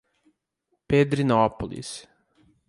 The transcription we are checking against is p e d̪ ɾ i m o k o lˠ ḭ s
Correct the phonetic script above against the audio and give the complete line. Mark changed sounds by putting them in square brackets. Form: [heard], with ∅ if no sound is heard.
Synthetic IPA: p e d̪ ɾ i [n] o [p] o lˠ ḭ s